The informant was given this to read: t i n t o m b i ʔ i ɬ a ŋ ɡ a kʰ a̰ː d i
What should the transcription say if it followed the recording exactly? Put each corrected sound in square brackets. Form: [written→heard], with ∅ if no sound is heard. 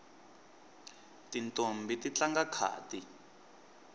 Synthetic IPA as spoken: t i n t o m b i [ʔ→t] i [ɬ→t͡ɬ] a ŋ ɡ a kʰ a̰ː [d→t] i